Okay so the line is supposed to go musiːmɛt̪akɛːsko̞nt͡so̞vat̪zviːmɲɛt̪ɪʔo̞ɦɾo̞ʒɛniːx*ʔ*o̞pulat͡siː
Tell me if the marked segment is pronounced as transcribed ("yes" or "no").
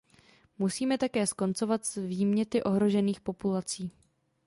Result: no